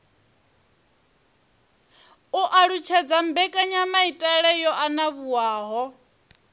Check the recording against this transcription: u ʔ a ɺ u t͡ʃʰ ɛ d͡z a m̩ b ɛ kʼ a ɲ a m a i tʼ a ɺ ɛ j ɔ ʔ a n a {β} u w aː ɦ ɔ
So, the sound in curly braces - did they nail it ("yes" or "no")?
yes